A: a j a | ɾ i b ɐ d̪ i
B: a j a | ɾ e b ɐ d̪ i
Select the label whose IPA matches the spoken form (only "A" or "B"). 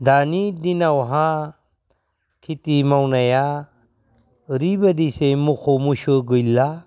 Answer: A